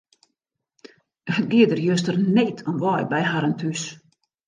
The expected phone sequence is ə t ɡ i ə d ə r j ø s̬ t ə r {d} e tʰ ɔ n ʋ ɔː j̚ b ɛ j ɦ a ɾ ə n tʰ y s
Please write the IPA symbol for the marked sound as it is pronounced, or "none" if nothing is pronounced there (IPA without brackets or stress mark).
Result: n